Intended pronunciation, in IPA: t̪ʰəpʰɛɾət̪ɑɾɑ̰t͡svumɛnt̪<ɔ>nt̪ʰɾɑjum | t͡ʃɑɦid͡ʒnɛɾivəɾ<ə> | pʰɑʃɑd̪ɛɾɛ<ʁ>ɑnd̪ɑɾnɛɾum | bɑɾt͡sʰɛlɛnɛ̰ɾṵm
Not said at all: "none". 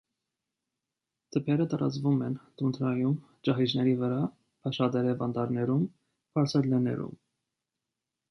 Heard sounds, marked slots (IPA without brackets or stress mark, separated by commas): u, ɑ, v